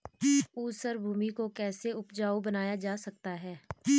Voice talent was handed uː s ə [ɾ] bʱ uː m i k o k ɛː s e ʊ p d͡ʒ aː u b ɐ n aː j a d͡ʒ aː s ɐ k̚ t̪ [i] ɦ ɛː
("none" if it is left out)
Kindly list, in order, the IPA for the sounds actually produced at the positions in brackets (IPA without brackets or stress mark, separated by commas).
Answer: ɾ, a